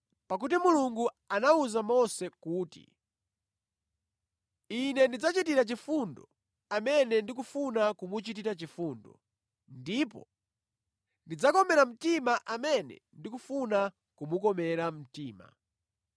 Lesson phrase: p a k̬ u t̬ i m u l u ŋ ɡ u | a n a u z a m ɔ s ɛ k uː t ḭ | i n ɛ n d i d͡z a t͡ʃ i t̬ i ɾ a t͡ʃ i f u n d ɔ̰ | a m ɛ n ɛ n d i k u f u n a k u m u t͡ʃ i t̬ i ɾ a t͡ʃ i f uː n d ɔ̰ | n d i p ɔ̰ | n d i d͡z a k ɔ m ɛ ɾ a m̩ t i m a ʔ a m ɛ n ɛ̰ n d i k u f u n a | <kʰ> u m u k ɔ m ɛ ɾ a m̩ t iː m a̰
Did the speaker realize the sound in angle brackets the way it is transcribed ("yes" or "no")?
no